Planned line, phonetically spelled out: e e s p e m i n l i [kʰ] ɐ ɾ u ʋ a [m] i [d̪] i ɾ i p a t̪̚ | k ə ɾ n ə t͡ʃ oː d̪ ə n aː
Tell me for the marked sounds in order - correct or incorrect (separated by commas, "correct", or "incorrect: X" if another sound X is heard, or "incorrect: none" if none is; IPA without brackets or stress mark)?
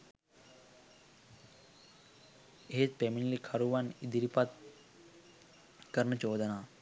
correct, incorrect: n, correct